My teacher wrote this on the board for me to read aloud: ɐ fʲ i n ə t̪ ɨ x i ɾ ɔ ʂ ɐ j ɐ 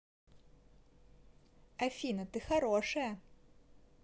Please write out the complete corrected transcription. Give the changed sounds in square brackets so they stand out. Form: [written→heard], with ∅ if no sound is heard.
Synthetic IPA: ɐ fʲ i n [ə→ɐ] t̪ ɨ x [i→a] ɾ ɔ ʂ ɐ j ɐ